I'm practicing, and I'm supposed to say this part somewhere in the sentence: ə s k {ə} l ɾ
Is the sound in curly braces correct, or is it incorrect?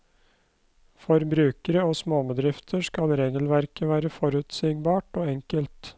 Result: incorrect